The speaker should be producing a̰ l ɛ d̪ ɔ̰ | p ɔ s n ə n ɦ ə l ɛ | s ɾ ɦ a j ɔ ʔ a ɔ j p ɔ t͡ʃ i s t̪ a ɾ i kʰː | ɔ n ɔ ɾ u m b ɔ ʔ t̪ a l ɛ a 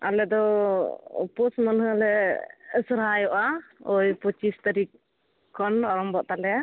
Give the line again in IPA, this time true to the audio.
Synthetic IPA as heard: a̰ l ɛ d̪ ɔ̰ | p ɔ s m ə n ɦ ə l ɛ | s ɾ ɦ a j ɔ ʔ a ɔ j p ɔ t͡ʃ i s t̪ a ɾ i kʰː | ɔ n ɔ ɾ ɔ m b ɔ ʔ t̪ a l ɛ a